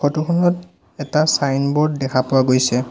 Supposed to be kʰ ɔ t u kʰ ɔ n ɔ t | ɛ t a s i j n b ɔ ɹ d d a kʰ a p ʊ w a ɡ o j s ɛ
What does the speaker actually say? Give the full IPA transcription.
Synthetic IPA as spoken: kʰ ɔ t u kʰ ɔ n ɔ t | ɛ t a s a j n b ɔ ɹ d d ɛ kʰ a p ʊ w a ɡ o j s ɛ